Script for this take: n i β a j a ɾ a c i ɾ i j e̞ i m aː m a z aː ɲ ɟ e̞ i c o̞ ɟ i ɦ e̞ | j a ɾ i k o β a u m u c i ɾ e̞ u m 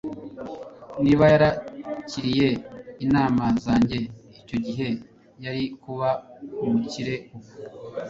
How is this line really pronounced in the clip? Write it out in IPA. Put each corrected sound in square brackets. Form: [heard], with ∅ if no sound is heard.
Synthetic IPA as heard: n i β a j a ɾ a c i ɾ i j e̞ i [n] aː m a z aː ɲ ɟ e̞ i c o̞ ɟ i ɦ e̞ | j a ɾ i k [u] β a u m u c i ɾ e̞ u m